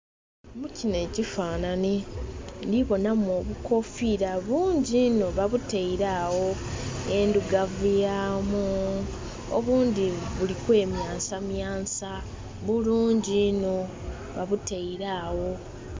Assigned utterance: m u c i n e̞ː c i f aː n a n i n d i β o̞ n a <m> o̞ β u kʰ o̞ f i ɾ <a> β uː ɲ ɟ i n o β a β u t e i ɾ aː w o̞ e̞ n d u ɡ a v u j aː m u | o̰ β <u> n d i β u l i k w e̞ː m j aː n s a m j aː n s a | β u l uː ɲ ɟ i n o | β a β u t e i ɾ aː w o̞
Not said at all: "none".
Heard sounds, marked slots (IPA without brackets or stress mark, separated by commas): m, a, uː